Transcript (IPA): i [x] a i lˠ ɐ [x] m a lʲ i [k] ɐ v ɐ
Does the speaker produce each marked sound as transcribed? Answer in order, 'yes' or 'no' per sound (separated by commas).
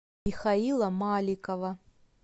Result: yes, no, yes